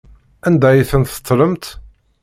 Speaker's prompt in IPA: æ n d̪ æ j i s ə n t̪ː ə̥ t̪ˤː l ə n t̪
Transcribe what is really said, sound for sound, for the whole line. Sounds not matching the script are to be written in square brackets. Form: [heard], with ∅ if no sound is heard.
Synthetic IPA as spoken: æ n d̪ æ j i [θ] ə n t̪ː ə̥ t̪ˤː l ə [m] t̪